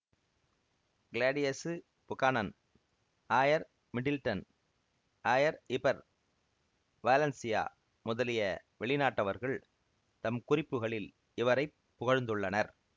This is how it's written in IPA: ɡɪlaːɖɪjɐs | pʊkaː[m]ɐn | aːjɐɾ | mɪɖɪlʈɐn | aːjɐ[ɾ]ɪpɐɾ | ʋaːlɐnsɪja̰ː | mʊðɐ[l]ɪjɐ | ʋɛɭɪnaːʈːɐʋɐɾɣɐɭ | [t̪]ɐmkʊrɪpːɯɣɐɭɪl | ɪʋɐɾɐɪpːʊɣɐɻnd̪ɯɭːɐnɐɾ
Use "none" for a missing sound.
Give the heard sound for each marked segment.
n, ɾ, l, t̪

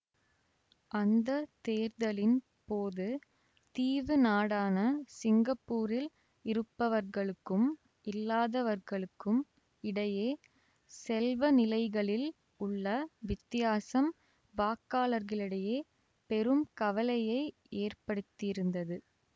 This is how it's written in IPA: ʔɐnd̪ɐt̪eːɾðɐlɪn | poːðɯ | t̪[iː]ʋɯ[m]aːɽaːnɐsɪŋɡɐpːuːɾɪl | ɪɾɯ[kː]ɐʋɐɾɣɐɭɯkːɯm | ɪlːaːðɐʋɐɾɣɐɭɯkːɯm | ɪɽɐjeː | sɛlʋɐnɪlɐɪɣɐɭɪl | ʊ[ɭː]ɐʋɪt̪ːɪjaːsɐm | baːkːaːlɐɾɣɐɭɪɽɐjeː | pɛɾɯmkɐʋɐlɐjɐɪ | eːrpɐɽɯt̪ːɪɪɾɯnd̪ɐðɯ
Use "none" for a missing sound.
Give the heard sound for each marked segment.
iː, n, pː, ɭː

